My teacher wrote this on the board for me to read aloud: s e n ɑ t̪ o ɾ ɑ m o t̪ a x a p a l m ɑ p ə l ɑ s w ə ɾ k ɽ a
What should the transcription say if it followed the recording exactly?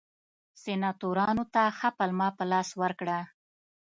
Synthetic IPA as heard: s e n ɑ t̪ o ɾ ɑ n o t̪ a x a p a l m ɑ p ə l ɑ s w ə ɾ k ɽ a